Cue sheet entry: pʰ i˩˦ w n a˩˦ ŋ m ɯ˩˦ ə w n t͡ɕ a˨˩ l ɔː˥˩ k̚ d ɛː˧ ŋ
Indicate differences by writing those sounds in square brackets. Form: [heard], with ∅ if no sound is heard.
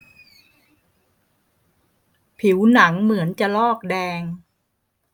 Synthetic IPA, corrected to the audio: pʰ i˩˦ w n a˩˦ ŋ m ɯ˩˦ ə [∅] n t͡ɕ a˨˩ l ɔː˥˩ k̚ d ɛː˧ ŋ